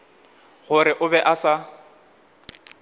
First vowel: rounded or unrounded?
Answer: rounded